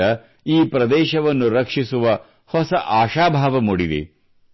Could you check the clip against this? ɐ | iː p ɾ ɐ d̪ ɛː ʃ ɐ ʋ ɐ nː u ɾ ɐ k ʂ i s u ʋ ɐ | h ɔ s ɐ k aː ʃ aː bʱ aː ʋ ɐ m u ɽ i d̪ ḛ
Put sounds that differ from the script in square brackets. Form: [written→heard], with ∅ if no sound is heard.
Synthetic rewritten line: ɐ | iː p ɾ ɐ d̪ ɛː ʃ ɐ ʋ ɐ nː u ɾ ɐ k ʂ i s u ʋ ɐ | h ɔ s ɐ [k→ʔ] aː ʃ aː bʱ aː ʋ ɐ m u ɽ i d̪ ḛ